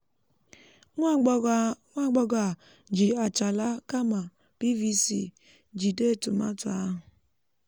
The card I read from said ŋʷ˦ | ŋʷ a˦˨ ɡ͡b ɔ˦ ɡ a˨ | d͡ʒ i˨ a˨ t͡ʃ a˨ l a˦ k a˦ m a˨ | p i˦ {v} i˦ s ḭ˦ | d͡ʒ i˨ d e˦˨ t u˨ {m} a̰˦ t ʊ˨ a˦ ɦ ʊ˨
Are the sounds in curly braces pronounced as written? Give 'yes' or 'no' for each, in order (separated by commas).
yes, yes